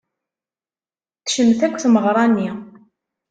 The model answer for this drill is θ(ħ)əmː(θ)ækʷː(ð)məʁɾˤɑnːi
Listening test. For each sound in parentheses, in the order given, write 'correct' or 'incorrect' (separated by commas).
incorrect, correct, incorrect